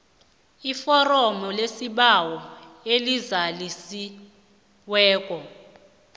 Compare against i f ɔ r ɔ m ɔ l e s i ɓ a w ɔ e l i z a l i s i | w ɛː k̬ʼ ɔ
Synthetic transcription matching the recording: i f ɔ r ɔ m ɔ l e s i ɓ a w ɔ e l i z a l i s i | w ɛː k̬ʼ ɔ